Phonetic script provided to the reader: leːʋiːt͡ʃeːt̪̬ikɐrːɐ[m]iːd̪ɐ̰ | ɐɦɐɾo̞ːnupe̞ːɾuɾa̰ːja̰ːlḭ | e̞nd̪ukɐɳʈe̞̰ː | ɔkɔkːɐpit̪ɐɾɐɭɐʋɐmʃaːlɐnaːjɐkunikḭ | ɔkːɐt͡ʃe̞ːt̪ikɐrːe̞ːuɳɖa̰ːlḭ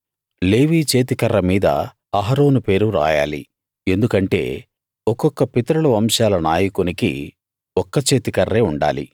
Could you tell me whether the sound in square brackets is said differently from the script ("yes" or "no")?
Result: no